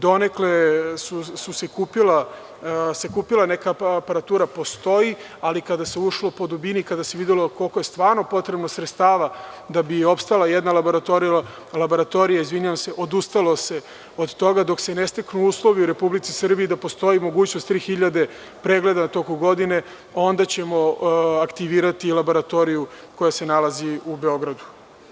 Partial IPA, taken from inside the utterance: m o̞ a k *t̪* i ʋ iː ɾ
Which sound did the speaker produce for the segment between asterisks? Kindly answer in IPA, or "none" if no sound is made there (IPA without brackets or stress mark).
t̪